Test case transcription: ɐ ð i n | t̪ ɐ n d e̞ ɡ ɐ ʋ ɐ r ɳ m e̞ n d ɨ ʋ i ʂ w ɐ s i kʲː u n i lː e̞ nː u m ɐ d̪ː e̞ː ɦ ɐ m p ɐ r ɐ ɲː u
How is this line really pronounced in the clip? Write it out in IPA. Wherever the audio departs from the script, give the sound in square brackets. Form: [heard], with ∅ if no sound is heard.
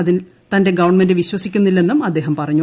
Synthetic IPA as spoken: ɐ ð i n | t̪ ɐ n d e̞ ɡ ɐ ʋ ɐ r ɳ m e̞ n d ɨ ʋ i [ɕ] w ɐ s i kʲː u [nː] i lː e̞ nː u m ɐ d̪ː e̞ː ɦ ɐ m p ɐ r ɐ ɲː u